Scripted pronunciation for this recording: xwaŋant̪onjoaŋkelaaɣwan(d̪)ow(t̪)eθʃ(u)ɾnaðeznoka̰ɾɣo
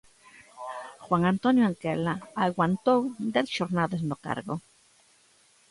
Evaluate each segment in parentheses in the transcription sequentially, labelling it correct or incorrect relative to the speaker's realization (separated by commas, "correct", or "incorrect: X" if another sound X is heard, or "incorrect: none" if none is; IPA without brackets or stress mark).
incorrect: t̪, incorrect: d̪, incorrect: o